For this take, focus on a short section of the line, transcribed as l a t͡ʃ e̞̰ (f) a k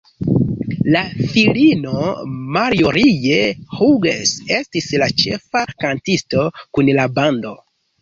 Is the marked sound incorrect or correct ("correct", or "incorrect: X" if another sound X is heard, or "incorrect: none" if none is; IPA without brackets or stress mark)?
correct